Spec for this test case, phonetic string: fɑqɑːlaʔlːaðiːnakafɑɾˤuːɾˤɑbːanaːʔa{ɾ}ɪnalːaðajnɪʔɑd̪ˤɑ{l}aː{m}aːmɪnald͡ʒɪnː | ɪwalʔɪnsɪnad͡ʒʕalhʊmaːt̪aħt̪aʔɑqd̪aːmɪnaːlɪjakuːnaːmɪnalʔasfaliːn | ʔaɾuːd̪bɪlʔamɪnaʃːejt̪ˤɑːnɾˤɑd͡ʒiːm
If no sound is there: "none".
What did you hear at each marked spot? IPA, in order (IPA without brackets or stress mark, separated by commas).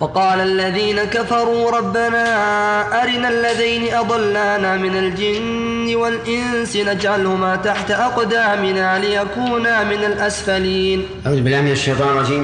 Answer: ɾ, lː, n